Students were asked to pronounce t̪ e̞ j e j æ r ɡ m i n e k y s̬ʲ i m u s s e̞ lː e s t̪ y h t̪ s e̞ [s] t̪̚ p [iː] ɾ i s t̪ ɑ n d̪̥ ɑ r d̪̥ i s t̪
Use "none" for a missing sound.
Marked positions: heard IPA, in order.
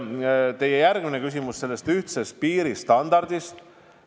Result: s, iː

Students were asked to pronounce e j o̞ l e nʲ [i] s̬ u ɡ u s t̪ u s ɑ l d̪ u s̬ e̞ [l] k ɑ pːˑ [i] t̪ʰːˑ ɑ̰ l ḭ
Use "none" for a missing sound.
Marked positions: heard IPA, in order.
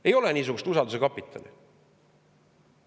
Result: iː, none, i

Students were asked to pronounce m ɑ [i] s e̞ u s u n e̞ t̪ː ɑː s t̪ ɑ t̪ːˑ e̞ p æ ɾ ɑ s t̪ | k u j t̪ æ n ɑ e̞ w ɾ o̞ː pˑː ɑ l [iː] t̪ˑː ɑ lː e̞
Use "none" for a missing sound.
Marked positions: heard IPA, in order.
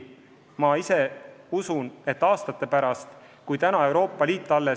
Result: i, iː

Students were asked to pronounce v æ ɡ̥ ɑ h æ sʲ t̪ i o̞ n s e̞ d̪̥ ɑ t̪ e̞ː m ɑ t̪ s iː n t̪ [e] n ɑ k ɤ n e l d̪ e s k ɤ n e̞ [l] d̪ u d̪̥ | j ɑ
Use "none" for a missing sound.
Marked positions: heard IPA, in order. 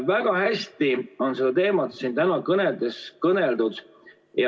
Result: æ, l

